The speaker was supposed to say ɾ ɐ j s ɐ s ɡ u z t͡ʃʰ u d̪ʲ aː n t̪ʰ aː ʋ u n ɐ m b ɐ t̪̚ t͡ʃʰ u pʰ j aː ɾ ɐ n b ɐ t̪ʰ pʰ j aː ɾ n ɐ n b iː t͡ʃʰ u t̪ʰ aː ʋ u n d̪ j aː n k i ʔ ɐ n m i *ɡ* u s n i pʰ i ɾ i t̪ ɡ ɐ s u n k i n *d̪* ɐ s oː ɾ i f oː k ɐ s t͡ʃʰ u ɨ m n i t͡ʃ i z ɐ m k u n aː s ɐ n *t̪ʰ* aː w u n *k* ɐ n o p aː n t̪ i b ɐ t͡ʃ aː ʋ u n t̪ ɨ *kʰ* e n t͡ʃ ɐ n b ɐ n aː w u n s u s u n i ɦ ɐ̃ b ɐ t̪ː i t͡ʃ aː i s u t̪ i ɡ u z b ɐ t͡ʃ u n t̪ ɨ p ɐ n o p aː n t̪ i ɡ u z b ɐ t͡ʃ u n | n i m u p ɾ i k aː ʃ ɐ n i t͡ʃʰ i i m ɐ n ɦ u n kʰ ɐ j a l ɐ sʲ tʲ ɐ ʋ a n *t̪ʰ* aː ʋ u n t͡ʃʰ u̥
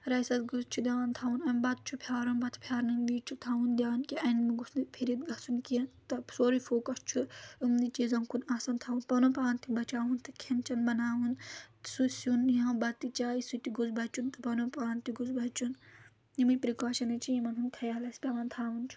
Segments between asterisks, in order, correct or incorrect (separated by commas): correct, incorrect, correct, incorrect, correct, correct